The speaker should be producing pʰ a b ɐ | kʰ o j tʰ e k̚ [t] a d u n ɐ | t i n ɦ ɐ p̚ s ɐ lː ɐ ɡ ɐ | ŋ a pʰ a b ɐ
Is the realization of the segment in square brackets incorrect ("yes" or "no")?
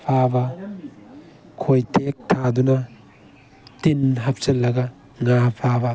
yes